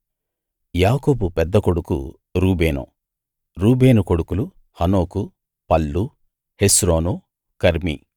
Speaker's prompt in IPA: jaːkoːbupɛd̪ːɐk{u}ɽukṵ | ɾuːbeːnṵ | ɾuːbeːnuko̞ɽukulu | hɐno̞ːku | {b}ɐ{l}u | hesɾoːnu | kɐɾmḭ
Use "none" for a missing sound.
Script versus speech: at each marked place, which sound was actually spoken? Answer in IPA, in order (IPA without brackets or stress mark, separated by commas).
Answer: o, p, lː